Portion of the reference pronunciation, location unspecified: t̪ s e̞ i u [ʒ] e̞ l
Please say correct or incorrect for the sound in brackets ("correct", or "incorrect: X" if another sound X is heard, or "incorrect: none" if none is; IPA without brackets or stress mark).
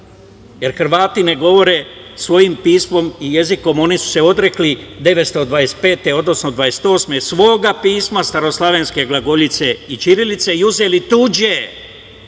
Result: incorrect: z